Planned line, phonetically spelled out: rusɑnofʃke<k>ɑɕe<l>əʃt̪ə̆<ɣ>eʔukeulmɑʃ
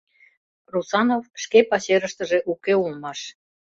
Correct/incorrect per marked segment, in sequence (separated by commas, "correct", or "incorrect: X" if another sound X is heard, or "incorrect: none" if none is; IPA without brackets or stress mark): incorrect: p, incorrect: ɾ, incorrect: ʒ